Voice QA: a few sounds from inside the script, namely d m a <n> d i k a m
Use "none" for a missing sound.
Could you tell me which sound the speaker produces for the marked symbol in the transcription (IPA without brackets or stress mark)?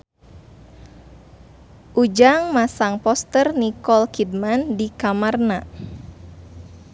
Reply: n